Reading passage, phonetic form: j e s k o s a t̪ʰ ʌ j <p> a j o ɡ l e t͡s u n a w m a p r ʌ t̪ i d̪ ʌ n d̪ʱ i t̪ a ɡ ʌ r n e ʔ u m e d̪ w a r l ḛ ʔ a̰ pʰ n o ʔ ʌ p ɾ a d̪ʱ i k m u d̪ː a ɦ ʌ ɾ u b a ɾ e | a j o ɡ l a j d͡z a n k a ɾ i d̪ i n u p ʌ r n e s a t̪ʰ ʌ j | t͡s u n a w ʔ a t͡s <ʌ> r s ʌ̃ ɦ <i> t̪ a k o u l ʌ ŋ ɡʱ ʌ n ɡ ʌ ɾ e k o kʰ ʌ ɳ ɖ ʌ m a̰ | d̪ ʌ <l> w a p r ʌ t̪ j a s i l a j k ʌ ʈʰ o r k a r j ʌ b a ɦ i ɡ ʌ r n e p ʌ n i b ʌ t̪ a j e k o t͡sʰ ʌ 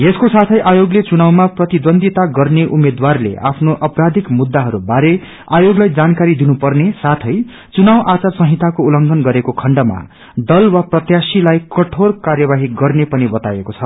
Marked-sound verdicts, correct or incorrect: incorrect: ʔ, incorrect: a, correct, correct

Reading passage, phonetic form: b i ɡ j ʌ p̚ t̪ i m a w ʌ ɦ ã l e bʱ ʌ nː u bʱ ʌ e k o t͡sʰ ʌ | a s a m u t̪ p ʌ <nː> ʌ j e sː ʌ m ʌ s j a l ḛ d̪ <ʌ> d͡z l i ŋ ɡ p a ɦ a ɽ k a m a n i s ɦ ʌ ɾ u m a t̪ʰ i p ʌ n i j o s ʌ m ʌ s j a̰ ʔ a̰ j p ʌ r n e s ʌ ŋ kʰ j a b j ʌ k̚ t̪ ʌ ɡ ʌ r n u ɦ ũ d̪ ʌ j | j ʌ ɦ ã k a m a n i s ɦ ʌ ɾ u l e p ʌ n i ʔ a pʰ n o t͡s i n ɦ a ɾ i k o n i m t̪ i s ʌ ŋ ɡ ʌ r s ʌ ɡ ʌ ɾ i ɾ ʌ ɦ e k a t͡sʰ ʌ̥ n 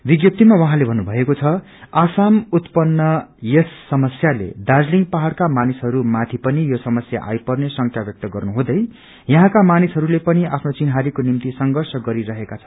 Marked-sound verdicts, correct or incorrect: correct, incorrect: a

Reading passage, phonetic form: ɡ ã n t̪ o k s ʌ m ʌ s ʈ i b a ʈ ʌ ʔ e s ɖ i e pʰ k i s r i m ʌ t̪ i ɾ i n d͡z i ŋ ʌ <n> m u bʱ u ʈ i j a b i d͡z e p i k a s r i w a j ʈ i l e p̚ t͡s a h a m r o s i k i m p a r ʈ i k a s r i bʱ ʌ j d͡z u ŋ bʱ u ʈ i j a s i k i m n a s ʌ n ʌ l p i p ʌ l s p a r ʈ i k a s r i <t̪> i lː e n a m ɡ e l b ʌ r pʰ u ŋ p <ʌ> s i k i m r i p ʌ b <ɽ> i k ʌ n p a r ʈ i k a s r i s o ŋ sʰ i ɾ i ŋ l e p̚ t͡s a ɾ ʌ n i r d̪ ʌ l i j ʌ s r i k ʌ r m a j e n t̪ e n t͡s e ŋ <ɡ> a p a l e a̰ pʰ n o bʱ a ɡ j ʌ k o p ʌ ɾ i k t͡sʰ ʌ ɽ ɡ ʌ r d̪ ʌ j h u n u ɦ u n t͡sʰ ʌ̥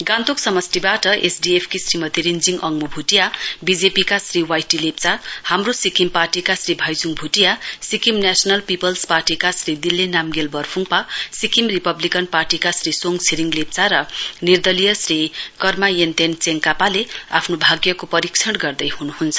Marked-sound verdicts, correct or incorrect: incorrect: ŋ, incorrect: d̪, incorrect: a, incorrect: l, incorrect: k

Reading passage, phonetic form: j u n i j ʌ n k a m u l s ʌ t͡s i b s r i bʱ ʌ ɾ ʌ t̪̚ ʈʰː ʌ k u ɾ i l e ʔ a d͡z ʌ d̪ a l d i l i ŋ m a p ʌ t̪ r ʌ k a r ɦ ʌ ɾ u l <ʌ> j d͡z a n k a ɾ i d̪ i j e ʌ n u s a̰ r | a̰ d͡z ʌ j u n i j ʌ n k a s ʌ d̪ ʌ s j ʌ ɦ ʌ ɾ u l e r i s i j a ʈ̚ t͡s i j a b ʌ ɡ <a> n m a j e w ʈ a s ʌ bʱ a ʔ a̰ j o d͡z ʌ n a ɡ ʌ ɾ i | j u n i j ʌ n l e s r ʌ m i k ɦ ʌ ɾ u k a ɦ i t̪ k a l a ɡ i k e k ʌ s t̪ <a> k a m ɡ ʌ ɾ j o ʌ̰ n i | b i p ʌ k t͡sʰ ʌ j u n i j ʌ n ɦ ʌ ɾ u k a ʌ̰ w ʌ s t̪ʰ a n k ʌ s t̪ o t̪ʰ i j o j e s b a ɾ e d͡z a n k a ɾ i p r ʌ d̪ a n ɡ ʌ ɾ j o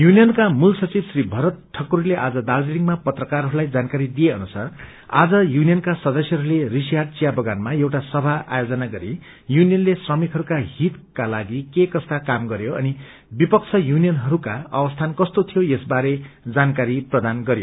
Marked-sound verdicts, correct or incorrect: incorrect: a, correct, correct

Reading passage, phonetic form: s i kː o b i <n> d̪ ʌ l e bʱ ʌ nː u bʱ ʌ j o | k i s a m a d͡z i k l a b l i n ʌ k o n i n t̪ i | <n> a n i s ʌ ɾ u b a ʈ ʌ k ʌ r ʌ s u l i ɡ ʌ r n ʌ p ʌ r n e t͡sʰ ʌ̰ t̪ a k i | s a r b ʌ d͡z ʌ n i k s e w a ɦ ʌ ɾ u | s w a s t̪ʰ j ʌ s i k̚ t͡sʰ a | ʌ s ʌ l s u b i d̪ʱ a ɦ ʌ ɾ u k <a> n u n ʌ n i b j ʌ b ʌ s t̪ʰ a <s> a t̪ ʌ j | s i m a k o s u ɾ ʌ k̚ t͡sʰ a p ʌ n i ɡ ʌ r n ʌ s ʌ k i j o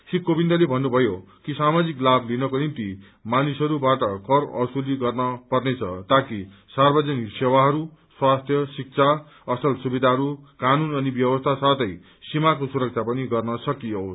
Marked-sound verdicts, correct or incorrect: correct, incorrect: m, correct, correct

